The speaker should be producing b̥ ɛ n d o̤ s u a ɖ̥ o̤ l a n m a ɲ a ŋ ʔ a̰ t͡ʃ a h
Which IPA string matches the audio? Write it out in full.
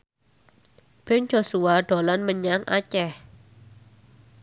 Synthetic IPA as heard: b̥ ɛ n d͡ʒ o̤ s u a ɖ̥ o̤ l a n m ə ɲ a ŋ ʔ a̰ t͡ʃ ɛ h